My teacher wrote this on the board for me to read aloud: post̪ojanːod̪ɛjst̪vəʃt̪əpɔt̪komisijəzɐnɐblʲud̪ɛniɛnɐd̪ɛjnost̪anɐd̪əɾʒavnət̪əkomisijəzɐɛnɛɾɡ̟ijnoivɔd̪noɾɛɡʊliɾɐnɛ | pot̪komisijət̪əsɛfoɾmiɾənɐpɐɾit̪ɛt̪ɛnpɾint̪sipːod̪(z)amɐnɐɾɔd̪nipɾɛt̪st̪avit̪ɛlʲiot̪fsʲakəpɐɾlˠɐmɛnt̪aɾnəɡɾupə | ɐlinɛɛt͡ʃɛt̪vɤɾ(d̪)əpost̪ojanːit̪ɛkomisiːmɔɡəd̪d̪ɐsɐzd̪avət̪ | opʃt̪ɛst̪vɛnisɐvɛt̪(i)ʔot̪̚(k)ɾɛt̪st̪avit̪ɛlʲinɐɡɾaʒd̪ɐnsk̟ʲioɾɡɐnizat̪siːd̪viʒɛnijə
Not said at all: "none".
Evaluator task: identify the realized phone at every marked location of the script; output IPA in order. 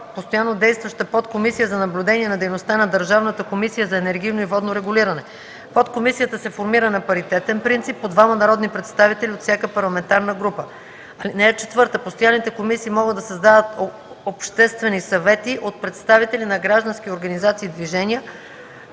v, t̪, i, p

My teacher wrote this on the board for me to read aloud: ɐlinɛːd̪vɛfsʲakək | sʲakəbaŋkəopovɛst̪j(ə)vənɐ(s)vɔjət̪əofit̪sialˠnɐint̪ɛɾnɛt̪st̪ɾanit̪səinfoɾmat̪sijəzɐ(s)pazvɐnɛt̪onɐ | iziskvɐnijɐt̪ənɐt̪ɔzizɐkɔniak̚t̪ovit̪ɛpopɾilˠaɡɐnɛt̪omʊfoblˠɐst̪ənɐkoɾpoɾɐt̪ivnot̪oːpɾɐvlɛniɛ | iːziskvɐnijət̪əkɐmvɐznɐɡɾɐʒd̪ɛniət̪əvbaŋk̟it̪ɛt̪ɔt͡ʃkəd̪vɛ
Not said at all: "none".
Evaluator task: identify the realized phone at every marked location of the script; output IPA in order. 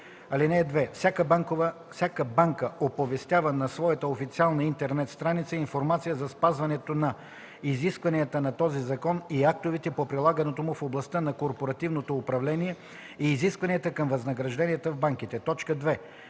a, s, s

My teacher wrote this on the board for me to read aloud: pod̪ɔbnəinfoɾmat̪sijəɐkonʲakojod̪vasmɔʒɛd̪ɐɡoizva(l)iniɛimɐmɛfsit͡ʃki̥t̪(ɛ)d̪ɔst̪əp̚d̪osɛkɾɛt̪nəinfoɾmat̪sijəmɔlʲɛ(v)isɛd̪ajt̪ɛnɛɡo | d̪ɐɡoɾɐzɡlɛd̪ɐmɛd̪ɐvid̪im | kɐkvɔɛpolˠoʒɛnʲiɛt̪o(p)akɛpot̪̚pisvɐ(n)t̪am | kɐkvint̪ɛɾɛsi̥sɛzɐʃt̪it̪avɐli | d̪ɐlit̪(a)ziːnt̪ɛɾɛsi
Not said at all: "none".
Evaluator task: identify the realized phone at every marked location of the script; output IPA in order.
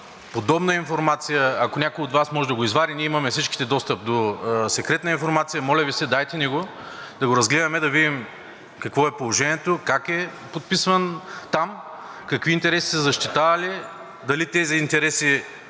ɾ, ɛ, v, k, n, ɛ

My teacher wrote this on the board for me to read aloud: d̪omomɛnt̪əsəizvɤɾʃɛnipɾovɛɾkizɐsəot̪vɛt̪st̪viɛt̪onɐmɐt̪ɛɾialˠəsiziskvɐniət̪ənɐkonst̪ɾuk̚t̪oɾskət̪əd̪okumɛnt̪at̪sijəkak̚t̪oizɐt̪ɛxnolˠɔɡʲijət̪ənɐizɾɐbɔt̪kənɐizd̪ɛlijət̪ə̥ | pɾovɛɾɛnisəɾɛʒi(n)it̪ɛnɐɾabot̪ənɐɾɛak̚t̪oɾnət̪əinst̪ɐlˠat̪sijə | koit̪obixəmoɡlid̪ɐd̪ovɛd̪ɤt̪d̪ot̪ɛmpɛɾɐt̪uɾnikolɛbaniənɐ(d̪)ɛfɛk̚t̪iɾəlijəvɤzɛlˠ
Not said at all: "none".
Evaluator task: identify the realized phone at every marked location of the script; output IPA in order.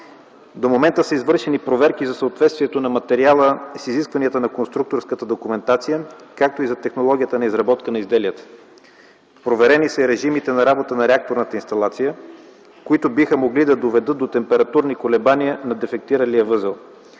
m, d̪

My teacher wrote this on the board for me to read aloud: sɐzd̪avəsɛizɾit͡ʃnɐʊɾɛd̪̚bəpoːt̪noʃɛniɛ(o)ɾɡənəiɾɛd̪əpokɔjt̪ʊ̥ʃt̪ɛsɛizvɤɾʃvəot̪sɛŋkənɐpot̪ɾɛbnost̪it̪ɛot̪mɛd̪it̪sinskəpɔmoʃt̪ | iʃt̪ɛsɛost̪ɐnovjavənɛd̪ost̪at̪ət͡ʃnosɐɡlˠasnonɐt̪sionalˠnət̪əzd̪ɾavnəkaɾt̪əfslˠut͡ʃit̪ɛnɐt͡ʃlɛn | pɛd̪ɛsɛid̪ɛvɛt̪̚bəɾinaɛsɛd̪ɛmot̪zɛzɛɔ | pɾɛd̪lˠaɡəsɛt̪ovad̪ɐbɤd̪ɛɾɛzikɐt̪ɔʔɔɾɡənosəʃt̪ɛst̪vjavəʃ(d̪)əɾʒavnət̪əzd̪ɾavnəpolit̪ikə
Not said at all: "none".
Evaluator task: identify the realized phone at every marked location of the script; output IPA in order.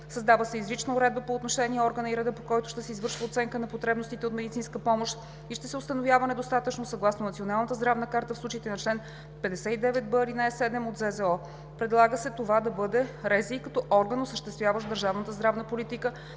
ɔ, d̪

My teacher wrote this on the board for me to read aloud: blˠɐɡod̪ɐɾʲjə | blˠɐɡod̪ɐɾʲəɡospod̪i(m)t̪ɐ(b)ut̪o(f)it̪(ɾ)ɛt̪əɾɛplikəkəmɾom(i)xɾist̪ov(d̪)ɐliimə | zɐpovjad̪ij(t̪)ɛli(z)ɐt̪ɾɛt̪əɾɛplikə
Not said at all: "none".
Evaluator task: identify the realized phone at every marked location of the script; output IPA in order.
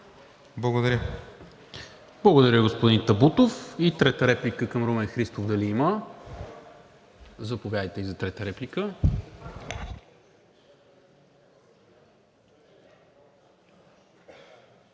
n, b, f, ɾ, ɛ, d̪, t̪, z

